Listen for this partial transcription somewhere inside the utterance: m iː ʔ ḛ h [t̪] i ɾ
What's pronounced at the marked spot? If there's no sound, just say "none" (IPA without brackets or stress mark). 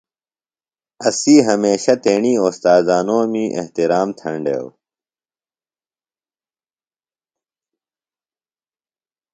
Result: t̪